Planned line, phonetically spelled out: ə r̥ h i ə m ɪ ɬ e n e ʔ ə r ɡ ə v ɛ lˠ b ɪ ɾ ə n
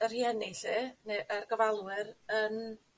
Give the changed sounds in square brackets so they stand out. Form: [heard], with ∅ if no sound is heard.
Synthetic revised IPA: ə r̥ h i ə [n] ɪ ɬ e n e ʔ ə r ɡ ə v [a] lˠ [w] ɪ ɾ ə n